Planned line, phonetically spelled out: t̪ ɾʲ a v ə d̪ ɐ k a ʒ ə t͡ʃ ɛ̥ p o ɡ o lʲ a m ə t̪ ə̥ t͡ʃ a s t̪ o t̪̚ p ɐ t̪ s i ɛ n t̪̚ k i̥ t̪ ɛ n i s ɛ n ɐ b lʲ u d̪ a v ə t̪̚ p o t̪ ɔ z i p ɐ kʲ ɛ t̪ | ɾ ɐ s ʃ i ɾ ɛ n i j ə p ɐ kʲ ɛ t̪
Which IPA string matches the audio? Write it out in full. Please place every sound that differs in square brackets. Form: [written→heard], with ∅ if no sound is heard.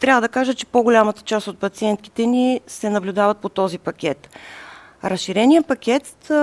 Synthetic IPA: t̪ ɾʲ a v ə d̪ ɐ k a ʒ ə t͡ʃ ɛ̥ p o ɡ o lʲ a m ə t̪ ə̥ t͡ʃ a s t̪ o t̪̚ p ɐ t̪ s i ɛ n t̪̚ k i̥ t̪ ɛ n i s ɛ n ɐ b lʲ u d̪ a v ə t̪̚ p o t̪ ɔ z i p ɐ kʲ ɛ t̪ | ɾ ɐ s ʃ i ɾ ɛ n i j ə p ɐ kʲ ɛ t̪